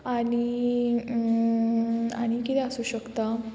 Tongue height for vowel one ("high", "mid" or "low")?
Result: low